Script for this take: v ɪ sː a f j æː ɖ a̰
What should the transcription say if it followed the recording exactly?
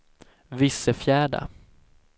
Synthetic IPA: v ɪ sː ə f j æː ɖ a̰